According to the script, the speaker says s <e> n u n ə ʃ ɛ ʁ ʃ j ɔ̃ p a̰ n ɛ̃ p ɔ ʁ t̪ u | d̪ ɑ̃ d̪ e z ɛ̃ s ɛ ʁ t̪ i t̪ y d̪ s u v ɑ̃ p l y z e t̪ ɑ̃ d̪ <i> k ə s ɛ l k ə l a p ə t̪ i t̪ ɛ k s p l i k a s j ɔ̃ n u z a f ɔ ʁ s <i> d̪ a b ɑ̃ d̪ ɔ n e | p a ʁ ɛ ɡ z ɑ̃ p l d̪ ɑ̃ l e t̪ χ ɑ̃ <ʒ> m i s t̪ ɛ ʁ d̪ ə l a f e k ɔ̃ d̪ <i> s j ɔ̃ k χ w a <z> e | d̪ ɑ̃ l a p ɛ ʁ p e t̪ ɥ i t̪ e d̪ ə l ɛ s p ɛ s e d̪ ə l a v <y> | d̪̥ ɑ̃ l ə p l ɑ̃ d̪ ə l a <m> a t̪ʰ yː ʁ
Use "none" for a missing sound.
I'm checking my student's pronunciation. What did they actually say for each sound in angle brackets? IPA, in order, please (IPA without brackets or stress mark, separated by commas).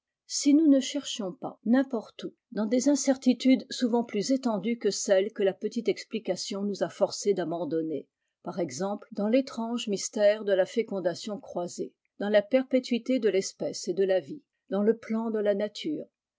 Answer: i, y, e, ʒ, a, z, i, n